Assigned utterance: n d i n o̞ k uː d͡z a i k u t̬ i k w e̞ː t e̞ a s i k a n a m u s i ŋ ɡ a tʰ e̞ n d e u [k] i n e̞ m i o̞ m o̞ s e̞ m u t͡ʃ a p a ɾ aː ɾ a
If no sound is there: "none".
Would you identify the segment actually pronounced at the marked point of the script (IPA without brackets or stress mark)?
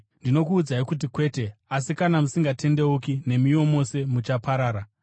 k